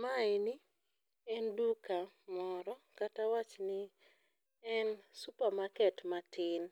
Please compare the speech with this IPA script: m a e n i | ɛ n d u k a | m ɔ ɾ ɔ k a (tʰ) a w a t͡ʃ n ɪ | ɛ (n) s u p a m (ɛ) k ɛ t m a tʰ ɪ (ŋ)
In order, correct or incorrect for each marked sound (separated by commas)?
incorrect, correct, incorrect, incorrect